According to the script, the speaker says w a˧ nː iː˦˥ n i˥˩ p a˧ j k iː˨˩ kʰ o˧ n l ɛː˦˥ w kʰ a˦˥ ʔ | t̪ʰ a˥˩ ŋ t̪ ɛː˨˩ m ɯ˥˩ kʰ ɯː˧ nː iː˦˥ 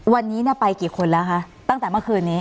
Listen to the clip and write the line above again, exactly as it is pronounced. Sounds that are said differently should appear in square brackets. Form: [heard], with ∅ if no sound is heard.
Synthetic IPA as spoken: w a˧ nː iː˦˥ n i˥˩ p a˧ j k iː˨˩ kʰ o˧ n l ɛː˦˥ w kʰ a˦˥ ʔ | [t̪] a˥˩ ŋ t̪ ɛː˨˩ m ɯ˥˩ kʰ ɯː˧ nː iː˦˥